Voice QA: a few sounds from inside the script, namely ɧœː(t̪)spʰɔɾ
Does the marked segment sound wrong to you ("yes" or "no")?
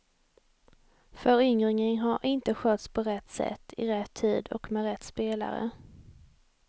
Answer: no